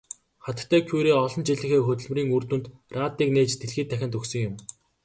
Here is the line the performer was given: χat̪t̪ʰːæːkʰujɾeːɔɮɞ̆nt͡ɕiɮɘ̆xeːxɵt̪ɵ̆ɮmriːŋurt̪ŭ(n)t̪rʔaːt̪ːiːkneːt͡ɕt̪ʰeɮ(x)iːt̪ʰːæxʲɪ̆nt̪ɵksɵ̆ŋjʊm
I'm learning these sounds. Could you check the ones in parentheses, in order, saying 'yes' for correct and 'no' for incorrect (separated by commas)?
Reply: yes, yes